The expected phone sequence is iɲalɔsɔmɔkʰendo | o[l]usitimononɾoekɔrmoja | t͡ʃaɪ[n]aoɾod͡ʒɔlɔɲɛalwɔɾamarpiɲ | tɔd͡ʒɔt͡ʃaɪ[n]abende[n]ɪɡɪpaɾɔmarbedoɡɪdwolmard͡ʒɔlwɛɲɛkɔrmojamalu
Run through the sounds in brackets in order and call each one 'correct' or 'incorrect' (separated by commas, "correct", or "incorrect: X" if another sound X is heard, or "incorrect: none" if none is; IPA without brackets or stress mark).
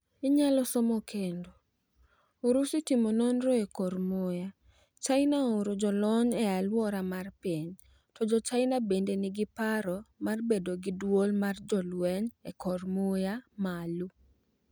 incorrect: ɾ, correct, correct, correct